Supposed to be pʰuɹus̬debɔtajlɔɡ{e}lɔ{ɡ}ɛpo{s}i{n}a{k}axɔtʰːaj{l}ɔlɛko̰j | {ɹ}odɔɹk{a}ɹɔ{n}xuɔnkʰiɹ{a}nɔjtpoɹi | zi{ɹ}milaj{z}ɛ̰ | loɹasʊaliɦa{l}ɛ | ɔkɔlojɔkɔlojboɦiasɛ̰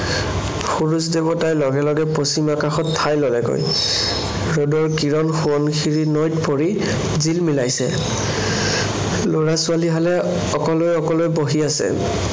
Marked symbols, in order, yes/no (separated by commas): no, yes, yes, no, yes, yes, yes, no, yes, no, no, no, yes